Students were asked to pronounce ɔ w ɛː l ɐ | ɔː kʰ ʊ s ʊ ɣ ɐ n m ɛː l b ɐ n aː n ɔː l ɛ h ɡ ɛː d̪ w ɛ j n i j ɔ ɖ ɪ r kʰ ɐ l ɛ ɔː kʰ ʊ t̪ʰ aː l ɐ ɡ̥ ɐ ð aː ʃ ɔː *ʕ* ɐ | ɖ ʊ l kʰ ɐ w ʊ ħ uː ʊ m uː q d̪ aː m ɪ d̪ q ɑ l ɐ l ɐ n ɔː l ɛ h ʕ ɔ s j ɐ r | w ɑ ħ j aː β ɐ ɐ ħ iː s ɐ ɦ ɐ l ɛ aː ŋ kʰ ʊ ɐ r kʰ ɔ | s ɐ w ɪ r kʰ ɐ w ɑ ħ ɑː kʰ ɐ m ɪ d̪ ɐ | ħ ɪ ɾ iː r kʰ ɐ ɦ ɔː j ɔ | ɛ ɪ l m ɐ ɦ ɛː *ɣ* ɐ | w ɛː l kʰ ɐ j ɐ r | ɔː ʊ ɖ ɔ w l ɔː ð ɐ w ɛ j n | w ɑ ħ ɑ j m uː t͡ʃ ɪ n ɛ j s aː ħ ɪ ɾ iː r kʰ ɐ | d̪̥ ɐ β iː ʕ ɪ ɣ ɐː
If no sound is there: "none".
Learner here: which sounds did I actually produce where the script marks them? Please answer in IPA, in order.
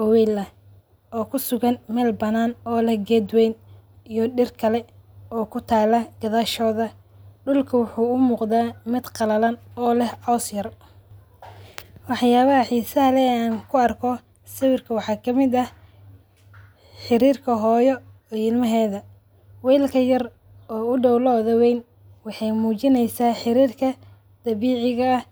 ð, ð

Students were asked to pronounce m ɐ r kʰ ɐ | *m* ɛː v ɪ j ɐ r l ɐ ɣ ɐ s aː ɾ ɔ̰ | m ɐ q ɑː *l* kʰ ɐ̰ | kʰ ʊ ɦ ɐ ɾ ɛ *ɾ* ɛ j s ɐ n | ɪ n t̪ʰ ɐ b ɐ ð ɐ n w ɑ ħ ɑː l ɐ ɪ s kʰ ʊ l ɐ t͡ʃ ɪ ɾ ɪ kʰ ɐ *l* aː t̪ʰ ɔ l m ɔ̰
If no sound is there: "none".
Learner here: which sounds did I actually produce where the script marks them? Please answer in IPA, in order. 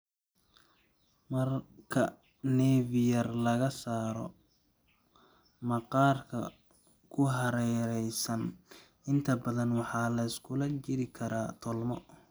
n, r, ɾ, ɾ

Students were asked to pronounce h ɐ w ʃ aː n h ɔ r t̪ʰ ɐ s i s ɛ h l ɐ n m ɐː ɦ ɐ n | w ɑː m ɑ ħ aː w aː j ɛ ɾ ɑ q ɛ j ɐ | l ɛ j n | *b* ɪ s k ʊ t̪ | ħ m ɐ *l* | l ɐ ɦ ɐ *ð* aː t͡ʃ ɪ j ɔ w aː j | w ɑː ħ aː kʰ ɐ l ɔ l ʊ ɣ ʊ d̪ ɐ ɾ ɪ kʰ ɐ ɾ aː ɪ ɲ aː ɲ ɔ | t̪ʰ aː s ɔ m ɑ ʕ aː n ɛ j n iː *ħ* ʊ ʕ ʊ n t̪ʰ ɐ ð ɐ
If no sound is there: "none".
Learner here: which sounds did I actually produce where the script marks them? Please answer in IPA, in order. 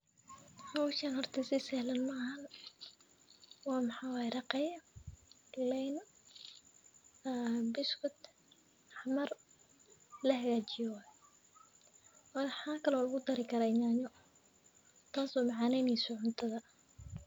b, r, ɣ, s

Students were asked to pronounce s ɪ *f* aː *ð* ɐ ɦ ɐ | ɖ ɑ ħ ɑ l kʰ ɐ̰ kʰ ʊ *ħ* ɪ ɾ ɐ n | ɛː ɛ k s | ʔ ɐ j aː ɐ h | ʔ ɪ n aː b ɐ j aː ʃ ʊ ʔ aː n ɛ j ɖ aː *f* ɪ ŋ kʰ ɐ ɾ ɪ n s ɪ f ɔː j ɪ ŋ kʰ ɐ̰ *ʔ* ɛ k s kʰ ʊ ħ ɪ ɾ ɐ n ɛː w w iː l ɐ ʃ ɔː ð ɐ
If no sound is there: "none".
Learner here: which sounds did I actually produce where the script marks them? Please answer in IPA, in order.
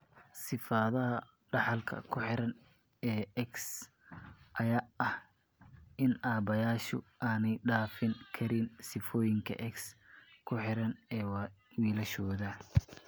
f, ð, ħ, f, ʔ

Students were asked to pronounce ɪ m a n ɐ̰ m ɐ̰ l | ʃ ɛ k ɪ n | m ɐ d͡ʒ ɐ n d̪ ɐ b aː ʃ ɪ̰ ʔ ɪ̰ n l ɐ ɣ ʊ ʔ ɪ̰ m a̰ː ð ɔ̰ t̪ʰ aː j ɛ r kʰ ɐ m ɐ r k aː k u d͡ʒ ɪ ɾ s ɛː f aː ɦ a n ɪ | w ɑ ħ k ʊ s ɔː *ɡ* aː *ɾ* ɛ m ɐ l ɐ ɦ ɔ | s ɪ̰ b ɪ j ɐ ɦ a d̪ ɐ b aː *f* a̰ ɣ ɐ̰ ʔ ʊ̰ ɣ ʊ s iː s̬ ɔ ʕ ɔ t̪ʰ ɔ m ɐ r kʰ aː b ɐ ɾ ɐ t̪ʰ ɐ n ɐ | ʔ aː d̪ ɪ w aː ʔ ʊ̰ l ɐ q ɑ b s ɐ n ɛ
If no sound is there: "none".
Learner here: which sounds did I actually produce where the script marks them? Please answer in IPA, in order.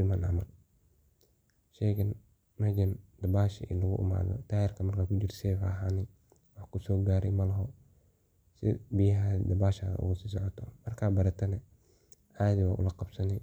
ɡ, ɾ, ʃ

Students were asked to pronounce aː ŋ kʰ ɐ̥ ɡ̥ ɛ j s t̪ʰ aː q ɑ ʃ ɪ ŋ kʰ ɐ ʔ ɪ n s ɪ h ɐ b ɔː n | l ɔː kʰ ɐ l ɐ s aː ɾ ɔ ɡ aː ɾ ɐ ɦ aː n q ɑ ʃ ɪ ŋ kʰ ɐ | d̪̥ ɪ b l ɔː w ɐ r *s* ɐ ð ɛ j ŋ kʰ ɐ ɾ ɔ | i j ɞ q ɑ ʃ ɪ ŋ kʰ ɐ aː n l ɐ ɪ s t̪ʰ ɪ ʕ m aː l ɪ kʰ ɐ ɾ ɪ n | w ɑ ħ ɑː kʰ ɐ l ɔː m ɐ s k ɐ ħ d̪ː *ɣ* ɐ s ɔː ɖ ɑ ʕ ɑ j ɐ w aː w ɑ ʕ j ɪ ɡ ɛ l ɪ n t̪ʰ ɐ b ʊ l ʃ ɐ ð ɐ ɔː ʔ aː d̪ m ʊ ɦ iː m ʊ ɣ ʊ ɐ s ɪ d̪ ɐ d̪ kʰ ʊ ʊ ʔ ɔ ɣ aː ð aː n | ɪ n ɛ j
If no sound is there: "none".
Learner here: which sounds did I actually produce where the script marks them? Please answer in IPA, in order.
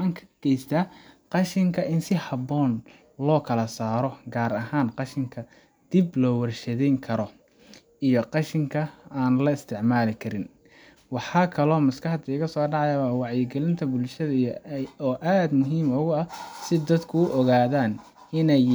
ʃ, ɣ

